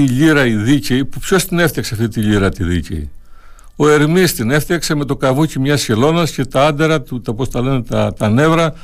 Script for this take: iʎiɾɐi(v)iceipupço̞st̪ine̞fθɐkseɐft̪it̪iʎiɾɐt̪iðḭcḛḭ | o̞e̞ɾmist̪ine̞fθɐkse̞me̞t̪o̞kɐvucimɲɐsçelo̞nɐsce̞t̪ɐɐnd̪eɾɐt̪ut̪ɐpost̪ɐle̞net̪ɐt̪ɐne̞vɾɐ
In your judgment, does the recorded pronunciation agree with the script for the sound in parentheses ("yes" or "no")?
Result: no